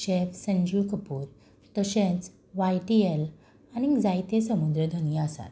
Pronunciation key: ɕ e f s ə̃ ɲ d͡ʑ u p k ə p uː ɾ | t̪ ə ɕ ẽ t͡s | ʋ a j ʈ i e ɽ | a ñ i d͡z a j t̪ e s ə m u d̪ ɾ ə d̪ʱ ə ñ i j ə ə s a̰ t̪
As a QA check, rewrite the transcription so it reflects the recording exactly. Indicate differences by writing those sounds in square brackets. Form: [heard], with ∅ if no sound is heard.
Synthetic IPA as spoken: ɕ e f s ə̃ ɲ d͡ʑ u [∅] k ə p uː ɾ | t̪ ə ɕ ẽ t͡s | ʋ a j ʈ i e [l] | a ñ i d͡z a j t̪ e s ə m u d̪ ɾ ə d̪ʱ ə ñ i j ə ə s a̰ t̪